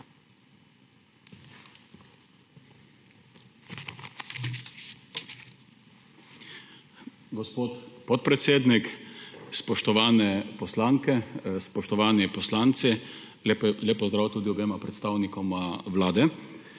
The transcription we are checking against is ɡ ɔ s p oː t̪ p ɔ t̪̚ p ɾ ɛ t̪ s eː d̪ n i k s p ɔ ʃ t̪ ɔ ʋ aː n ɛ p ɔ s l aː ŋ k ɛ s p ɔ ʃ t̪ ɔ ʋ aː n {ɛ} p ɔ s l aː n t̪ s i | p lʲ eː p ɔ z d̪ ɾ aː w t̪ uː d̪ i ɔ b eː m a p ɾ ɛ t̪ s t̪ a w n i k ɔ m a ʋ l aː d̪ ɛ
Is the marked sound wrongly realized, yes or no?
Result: yes